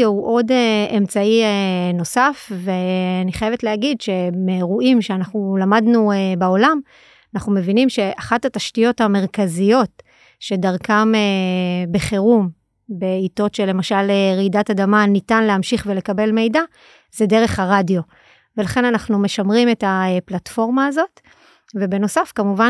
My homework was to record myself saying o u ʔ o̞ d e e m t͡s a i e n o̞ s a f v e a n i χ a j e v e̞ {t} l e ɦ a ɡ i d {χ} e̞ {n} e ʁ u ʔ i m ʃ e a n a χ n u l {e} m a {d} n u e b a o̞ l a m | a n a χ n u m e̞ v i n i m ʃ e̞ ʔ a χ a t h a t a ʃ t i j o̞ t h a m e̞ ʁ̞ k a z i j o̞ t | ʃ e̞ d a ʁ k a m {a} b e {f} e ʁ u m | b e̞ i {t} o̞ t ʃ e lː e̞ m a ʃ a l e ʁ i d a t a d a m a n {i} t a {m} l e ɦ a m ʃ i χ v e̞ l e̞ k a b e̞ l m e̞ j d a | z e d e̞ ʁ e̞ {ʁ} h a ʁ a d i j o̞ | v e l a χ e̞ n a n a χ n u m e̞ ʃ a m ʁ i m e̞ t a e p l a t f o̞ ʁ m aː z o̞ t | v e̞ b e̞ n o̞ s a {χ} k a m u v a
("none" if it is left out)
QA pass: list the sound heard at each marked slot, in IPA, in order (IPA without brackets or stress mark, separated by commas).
t, ʃ, m, a, d, e, χ, t, i, n, χ, f